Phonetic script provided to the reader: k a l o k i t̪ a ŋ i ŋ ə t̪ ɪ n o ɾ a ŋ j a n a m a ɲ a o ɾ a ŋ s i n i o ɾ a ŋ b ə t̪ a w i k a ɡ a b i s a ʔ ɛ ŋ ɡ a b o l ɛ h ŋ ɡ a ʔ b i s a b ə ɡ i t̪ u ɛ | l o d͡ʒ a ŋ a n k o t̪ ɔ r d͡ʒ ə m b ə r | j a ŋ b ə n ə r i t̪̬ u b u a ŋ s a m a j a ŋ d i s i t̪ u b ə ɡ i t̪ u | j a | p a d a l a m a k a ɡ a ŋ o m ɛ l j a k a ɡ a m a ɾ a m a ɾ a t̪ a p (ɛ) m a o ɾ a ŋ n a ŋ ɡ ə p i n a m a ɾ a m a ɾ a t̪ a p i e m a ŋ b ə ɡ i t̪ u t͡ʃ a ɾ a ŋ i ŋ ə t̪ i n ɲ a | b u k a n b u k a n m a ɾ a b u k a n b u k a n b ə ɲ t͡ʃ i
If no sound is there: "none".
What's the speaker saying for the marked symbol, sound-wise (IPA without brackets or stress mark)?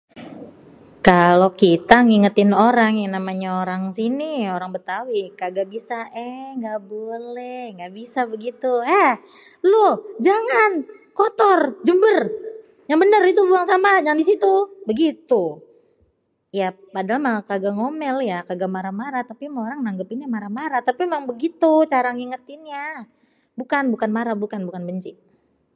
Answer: i